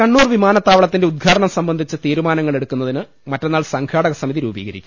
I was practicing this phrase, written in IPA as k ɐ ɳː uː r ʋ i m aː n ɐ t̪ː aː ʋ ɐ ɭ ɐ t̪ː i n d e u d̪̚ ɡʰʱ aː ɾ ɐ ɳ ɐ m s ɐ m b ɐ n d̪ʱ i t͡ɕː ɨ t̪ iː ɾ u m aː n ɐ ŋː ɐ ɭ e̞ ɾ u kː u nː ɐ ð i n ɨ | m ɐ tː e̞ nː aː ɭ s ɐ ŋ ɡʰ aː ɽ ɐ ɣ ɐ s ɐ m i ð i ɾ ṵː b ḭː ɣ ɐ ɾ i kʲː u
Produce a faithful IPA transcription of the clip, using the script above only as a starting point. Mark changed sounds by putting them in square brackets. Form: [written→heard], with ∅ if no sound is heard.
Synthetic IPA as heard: k ɐ ɳː uː r ʋ i m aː n ɐ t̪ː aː ʋ ɐ ɭ ɐ t̪ː i n d e u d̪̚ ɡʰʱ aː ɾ ɐ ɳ ɐ m s ɐ m b ɐ n d̪ʱ i t͡ɕː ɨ t̪ iː ɾ u m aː n ɐ ŋː ɐ ɭ e̞ [ɾ→ɽ] u kː u nː ɐ ð i n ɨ | m ɐ tː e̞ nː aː ɭ s ɐ ŋ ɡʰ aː ɽ ɐ ɣ ɐ s ɐ m i ð i ɾ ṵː b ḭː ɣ ɐ ɾ i kʲː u